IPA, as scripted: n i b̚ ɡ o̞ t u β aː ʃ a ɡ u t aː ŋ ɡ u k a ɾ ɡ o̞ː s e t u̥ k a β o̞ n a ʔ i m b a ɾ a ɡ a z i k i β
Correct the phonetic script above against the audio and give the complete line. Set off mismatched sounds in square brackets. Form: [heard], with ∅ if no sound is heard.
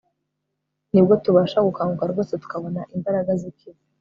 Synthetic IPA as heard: n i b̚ ɡ o̞ t u β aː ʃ a ɡ u [k] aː ŋ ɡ u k a ɾ ɡ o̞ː s e t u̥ k a β o̞ n a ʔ i m b a ɾ a ɡ a z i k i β

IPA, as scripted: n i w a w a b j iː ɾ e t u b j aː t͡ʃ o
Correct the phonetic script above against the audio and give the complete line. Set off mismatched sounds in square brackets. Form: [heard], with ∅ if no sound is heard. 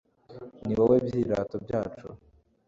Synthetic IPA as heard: n i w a w [e] b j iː ɾ [a] t [o] b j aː t͡ʃ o

